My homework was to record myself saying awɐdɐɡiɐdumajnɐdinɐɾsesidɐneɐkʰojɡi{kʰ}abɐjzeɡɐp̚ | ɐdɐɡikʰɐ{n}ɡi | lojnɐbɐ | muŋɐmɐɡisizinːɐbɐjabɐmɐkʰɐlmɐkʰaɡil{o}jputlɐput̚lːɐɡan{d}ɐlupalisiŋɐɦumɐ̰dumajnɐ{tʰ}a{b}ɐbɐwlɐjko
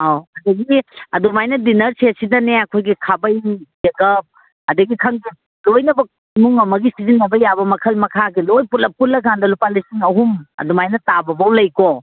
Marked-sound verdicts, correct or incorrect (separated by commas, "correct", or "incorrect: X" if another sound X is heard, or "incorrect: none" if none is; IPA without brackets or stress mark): correct, incorrect: ŋ, correct, correct, incorrect: t, correct